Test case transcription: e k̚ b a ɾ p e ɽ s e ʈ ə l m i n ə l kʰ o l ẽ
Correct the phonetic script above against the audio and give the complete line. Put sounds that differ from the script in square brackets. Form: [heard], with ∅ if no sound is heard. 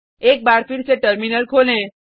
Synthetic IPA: e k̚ b a ɾ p [i] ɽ s e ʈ ə [ɾ] m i n ə l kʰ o l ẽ